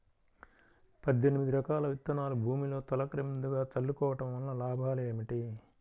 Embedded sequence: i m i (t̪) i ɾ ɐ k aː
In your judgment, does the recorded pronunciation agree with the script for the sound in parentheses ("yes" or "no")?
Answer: no